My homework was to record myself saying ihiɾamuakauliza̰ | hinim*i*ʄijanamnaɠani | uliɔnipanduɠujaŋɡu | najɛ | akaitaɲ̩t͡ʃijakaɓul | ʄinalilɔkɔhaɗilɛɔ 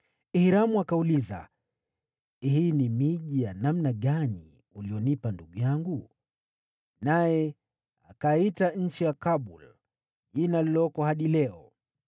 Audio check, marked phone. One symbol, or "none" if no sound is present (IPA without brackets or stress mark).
i